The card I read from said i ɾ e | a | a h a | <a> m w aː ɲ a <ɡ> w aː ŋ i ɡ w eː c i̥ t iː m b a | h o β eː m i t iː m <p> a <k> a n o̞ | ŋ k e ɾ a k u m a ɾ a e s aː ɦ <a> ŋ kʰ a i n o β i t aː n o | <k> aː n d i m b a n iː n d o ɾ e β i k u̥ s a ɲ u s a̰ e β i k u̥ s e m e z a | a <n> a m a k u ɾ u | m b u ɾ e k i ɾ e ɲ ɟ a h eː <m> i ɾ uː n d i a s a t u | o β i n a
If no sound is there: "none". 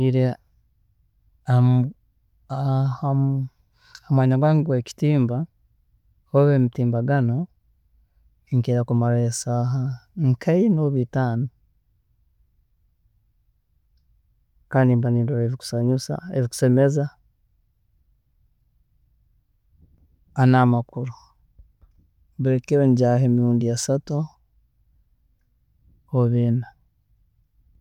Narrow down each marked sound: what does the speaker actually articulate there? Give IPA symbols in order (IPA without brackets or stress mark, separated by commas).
a, ɡ, b, ɡ, a, k, n, m